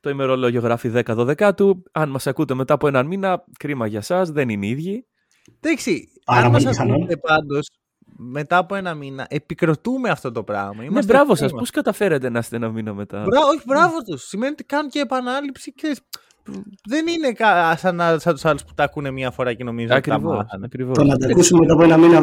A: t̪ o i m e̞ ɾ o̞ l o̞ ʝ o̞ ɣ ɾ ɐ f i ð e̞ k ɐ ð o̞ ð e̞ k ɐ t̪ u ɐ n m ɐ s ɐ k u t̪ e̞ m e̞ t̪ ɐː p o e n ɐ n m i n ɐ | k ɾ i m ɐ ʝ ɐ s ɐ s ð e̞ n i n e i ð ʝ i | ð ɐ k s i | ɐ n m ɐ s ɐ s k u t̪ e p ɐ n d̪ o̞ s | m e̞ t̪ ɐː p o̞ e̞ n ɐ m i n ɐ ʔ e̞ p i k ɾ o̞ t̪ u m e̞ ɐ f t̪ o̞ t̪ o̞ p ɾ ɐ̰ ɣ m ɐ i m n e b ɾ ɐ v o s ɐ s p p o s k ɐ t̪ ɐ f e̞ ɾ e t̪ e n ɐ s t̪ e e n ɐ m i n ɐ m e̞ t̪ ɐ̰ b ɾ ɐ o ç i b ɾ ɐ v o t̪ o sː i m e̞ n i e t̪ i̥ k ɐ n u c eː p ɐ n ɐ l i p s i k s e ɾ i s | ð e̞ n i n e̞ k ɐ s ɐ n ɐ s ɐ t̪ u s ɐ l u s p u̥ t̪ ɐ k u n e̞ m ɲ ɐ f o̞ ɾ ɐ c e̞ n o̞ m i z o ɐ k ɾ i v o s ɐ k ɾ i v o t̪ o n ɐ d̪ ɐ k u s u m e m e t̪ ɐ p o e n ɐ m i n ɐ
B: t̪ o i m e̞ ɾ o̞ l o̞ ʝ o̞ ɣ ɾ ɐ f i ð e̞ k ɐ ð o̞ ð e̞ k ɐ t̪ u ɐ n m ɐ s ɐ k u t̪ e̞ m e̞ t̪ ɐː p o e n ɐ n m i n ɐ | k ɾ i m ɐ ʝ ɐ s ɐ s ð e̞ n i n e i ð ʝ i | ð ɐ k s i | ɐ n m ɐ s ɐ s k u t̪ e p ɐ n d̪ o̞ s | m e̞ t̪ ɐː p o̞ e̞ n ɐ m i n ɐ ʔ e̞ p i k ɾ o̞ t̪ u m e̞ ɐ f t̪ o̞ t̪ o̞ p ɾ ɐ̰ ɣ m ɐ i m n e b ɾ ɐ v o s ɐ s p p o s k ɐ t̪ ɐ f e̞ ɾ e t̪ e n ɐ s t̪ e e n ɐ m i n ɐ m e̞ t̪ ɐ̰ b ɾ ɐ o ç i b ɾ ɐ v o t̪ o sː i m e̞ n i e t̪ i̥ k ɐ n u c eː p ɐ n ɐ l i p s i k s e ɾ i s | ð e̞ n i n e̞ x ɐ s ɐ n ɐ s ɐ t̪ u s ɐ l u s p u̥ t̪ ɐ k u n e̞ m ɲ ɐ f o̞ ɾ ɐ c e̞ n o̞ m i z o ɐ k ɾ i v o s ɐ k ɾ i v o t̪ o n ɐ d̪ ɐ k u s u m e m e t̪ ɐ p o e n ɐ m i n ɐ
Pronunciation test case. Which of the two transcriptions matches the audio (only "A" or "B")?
A